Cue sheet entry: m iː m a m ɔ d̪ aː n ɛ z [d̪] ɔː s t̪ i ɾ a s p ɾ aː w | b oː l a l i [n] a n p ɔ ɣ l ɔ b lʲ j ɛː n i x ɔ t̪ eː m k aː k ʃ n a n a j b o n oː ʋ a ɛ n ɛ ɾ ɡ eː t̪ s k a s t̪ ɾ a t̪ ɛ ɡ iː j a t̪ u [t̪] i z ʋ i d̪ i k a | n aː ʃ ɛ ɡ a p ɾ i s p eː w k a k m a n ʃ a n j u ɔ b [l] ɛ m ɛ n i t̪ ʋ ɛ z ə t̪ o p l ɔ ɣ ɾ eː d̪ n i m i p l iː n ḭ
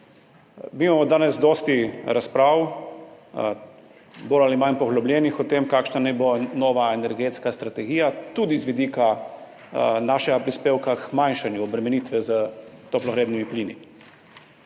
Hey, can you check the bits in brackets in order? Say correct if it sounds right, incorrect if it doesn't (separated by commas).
correct, incorrect, incorrect, incorrect